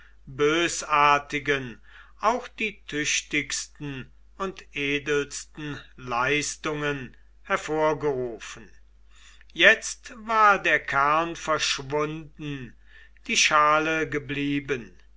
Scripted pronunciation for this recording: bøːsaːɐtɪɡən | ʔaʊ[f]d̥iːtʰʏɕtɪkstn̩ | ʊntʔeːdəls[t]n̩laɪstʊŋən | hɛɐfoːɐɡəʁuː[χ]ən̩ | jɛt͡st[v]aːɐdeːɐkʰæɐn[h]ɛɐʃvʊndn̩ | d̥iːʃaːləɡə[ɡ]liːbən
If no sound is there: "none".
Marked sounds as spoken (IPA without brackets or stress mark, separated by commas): x, t, f, v, f, b